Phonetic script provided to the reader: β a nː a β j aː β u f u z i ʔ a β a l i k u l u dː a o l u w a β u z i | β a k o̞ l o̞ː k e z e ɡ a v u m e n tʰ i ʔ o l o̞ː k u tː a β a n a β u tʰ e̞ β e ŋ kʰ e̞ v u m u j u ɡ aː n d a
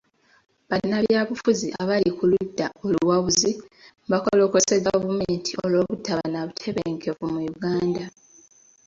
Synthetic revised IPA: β a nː a β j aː β u f u z i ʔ a β a l i k u l u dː a o l u w a β u z i | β a k o̞ l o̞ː k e s e ɡ a v u m e n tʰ i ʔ o l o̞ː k u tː a β a n a β u tʰ e̞ β e ŋ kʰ e̞ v u m u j u ɡ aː n d a